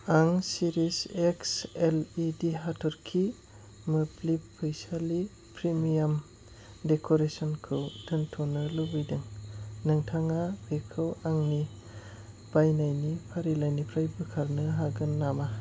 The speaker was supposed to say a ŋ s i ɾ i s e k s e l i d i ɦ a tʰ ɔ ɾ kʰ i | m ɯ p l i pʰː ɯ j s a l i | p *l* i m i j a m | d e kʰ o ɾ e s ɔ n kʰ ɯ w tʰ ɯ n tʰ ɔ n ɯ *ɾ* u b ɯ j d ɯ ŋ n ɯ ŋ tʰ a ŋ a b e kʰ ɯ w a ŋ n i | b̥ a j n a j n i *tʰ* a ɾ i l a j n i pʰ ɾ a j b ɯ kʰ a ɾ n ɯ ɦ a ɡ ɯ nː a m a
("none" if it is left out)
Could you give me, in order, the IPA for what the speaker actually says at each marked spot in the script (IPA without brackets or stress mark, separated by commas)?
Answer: ɾ, l, pʰ